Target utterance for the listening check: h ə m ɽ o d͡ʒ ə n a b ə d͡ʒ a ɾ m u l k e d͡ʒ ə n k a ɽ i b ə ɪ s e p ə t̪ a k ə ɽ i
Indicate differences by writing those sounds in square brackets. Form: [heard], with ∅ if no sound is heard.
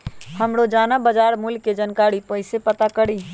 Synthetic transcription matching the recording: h ə m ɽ o d͡ʒ [a] n a b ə d͡ʒ a ɾ m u l k e d͡ʒ ə n k a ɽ i [p] ə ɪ s e p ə t̪ a k ə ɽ i